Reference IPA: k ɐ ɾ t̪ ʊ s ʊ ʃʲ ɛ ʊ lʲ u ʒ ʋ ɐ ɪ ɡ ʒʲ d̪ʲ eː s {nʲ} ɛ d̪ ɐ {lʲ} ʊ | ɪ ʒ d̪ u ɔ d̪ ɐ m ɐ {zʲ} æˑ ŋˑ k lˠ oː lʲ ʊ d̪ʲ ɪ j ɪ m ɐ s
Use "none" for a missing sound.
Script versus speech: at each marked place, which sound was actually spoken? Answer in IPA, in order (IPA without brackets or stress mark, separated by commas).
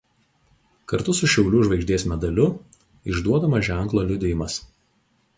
mʲ, lʲ, ʒʲ